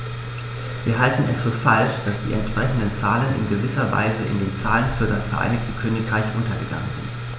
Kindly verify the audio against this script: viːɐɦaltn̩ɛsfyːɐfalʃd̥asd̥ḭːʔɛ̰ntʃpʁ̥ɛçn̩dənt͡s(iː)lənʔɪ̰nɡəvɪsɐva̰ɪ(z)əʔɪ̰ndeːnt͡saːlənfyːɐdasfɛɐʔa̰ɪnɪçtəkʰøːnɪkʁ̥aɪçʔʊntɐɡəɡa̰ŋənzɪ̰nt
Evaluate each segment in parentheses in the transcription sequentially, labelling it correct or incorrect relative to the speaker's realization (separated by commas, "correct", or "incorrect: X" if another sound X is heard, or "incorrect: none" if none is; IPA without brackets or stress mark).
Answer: incorrect: aː, correct